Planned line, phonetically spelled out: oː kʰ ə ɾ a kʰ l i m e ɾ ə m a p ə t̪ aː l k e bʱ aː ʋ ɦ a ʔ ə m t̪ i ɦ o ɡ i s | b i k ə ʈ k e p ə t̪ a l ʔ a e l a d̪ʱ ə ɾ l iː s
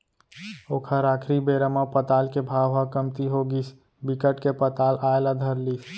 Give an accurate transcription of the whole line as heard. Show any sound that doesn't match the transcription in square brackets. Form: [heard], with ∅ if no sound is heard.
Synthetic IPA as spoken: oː kʰ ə ɾ a kʰ [ɾ] i [b] e ɾ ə m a p ə t̪ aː l k e bʱ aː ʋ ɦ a [k] ə m t̪ i ɦ o ɡ i s | b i k ə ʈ k e p ə t̪ a l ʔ a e l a d̪ʱ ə ɾ l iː s

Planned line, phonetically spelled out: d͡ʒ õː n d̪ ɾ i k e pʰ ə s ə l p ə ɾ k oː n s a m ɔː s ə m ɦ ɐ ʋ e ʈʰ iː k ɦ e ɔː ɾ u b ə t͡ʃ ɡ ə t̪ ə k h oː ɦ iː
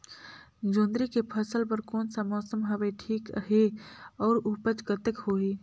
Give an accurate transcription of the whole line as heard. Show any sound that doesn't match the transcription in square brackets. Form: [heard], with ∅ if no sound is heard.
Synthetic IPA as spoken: d͡ʒ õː n d̪ ɾ i k e pʰ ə s ə l p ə ɾ k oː n s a m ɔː s ə m ɦ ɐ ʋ e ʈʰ iː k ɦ e ɔː ɾ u [p] ə t͡ʃ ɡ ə t̪ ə k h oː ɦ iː

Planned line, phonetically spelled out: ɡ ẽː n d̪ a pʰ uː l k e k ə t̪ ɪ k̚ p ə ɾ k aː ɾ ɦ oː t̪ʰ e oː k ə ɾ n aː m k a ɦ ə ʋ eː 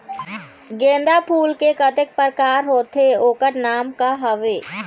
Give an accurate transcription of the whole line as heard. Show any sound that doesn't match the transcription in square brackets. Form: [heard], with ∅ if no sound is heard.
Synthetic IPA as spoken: ɡ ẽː n d̪ a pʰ uː l k e k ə t̪ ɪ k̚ p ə ɾ k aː ɾ ɦ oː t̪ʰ e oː k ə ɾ n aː m k a ɦ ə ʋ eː

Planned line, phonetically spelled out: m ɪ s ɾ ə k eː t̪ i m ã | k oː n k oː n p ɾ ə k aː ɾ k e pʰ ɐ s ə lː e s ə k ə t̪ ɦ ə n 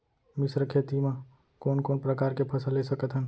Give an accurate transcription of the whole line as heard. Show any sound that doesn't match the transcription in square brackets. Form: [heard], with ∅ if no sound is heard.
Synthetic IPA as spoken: m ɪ s ɾ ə [kʰ] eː t̪ i m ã | k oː n k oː n p ɾ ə k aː ɾ k e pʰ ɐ s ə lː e s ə k ə t̪ ɦ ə n

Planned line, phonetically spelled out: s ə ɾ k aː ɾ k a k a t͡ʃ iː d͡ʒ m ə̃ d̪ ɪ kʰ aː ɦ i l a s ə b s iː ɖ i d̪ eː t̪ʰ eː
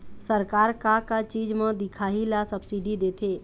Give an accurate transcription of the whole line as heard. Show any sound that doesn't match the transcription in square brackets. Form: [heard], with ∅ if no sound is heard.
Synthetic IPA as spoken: s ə ɾ k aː ɾ k a k a t͡ʃ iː d͡ʒ m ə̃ d̪ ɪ kʰ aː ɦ i l a s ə b s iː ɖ i d̪ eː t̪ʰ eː

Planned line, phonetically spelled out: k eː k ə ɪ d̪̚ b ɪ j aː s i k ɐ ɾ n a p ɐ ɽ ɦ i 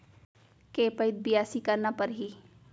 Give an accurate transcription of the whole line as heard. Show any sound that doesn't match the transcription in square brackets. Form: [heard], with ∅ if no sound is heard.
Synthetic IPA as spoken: k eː [p] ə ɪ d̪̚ b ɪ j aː s i k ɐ ɾ n a p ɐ [ɾ] ɦ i

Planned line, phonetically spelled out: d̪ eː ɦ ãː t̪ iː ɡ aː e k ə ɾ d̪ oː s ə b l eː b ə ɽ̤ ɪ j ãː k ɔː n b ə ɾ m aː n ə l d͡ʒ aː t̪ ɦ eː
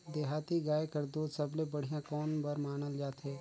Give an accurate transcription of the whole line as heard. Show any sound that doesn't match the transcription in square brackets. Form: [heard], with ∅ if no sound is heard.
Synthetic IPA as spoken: d̪ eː ɦ [aː] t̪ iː ɡ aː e k ə ɾ d̪ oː s ə b l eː b ə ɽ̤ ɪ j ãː k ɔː n b ə ɾ m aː n ə l d͡ʒ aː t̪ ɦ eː

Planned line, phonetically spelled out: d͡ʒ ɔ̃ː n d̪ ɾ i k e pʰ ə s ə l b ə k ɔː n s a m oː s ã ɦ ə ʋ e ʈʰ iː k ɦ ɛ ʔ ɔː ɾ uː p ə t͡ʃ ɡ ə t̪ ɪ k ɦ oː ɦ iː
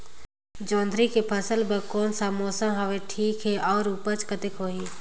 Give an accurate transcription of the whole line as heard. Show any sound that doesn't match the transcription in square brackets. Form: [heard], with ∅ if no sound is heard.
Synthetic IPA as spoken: d͡ʒ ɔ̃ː n d̪ ɾ i k e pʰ ə s ə l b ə k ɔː n s a m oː s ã ɦ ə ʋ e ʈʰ iː k ɦ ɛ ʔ ɔː ɾ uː p ə t͡ʃ [k] ə t̪ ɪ k ɦ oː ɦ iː

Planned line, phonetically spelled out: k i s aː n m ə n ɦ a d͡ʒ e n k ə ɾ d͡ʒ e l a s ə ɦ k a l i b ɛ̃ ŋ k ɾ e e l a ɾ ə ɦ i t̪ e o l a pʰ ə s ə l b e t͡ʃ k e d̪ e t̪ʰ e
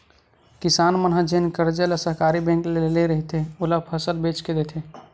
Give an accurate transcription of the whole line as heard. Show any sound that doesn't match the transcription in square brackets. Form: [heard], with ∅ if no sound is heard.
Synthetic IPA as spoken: k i s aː n m ə n ɦ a d͡ʒ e n k ə ɾ d͡ʒ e l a s ə ɦ k a [ɾ] i b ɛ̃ ŋ k [l] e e l [e] ɾ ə ɦ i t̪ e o l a pʰ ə s ə l b e t͡ʃ k e d̪ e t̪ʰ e

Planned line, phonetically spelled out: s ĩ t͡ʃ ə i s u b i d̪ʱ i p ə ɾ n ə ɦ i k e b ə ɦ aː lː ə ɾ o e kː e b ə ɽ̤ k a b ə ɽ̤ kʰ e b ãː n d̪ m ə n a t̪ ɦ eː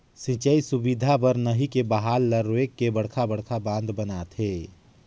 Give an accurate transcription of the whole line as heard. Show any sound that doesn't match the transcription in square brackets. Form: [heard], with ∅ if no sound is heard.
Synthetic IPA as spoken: s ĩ t͡ʃ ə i s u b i d̪ʱ [a] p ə ɾ n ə ɦ i k e b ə ɦ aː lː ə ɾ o e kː e b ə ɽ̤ [kʰ] a b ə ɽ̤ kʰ [a] b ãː n d̪ [b] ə n a t̪ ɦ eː

